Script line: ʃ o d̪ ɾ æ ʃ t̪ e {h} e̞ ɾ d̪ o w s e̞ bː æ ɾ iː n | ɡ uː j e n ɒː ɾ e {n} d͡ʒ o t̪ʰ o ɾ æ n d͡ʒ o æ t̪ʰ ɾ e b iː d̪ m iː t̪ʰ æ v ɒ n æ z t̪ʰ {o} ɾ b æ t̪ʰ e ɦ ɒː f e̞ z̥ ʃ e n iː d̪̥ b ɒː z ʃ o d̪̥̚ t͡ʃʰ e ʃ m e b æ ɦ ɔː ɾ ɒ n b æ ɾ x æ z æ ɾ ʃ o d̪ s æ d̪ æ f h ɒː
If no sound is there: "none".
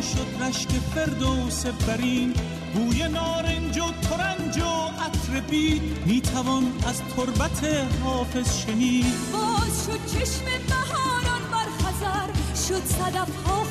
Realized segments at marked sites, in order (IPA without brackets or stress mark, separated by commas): f, n, o